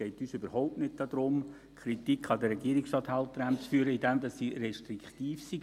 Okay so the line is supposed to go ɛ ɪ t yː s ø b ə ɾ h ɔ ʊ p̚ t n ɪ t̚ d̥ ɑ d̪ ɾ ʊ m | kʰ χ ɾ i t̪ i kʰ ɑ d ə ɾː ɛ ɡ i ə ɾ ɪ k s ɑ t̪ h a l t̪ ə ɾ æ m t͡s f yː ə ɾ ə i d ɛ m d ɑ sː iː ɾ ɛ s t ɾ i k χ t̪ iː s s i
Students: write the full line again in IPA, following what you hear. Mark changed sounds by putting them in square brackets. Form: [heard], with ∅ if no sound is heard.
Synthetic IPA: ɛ ɪ t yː s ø b ə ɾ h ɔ ʊ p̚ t n ɪ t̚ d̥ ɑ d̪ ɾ ʊ m | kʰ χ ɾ i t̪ i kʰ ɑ d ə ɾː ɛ ɡ i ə ɾ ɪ k s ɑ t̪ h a l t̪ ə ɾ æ m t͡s f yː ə ɾ ə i d ɛ m d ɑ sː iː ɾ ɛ [ʃ] t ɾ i k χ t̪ iː [f] s i